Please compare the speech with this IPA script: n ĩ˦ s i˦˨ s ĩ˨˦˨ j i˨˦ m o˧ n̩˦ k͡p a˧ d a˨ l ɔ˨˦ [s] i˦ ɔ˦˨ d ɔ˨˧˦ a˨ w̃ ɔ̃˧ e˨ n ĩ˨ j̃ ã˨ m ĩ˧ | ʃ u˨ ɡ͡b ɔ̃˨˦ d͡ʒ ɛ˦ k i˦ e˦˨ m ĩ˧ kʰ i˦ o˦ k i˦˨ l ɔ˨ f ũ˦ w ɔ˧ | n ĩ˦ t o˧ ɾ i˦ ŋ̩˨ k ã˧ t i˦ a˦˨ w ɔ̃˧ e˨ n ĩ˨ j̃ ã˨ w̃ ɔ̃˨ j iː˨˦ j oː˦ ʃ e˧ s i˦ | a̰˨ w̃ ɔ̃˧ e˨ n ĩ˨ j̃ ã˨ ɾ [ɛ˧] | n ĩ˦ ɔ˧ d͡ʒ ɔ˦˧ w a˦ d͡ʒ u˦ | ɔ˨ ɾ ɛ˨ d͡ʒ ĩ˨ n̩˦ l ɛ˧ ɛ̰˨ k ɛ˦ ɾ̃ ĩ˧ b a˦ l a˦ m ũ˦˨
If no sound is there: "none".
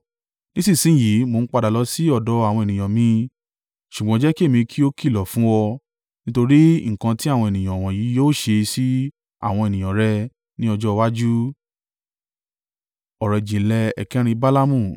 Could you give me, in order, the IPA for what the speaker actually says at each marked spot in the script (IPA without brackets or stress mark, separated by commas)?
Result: s, ɛ˧